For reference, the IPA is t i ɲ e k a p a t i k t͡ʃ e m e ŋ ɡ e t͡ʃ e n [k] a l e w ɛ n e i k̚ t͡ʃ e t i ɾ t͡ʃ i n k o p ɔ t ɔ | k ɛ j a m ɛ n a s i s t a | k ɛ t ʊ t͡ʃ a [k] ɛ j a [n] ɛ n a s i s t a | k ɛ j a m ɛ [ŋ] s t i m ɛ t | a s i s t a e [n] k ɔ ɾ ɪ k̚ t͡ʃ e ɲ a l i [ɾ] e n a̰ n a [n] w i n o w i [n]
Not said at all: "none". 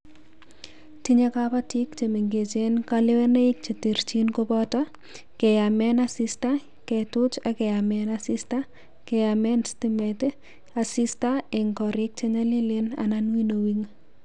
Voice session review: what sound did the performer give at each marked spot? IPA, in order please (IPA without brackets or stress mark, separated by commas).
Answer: k, k, m, n, ŋ, l, n, ŋ